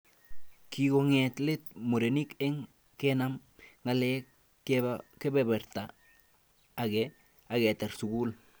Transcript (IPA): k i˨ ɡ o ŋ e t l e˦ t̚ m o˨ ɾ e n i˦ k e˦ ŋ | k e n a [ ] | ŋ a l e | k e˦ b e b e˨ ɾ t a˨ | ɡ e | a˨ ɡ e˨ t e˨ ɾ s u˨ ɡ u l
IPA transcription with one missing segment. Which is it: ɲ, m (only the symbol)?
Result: m